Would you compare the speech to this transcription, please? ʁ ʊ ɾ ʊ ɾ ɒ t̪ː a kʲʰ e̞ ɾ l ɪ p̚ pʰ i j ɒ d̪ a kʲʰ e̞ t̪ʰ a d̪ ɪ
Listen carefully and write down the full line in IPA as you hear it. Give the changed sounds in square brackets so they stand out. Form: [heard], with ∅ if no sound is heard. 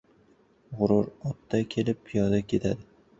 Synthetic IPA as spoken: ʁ ʊ ɾ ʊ ɾ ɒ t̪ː a kʲʰ e̞ [∅] l ɪ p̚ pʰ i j ɒ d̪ a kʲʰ e̞ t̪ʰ a d̪ ɪ